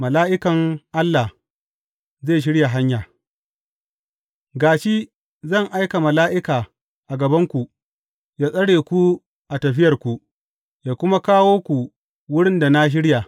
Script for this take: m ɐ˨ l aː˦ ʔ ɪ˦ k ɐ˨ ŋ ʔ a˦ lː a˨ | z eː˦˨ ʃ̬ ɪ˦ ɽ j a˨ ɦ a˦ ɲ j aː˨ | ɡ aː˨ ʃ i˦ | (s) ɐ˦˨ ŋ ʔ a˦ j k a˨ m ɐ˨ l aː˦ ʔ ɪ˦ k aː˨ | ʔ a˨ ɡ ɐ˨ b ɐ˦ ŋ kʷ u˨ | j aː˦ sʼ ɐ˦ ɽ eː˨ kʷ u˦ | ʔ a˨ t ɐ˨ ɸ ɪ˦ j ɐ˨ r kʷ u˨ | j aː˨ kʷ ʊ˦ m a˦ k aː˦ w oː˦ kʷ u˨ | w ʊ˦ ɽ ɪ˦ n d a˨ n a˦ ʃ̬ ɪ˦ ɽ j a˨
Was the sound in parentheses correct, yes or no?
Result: no